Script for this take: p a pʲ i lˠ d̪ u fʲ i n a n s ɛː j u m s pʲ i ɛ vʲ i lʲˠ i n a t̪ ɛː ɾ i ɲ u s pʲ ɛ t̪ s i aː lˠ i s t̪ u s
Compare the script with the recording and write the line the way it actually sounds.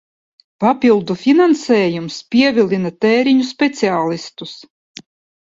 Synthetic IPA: p a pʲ i lˠ d̪ u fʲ i n a n s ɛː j u m s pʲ i ɛ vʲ i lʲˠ i n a t̪ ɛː ɾ i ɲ u s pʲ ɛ t̪ s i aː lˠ i s t̪ u s